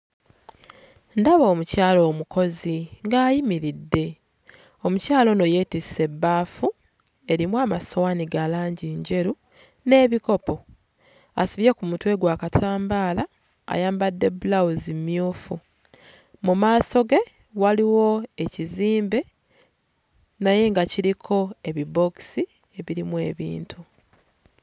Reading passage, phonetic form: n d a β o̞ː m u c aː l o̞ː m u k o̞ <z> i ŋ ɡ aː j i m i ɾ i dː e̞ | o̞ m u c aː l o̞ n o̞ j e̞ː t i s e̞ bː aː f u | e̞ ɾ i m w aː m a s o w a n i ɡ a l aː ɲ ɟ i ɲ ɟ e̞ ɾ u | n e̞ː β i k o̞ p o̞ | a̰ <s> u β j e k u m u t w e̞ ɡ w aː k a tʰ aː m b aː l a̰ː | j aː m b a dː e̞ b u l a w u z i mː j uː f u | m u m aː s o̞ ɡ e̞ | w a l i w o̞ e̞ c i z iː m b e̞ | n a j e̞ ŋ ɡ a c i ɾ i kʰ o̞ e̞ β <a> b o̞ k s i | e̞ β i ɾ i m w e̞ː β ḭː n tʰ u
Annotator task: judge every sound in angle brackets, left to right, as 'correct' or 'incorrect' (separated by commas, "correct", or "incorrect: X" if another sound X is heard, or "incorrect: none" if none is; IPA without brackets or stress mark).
correct, correct, incorrect: i